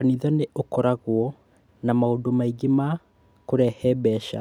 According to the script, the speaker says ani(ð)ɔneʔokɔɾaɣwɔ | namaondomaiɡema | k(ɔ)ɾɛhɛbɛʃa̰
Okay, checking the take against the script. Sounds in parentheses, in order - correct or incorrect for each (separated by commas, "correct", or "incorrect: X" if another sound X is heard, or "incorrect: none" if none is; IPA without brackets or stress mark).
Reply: correct, incorrect: o